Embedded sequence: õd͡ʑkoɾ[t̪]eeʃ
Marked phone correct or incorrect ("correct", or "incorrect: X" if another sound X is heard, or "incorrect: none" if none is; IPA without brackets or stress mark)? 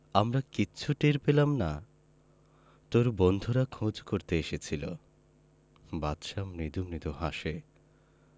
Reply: correct